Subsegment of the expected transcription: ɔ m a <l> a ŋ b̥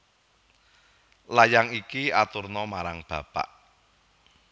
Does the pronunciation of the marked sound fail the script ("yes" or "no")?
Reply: yes